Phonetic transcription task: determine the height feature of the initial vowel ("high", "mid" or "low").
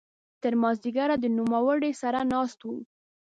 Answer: mid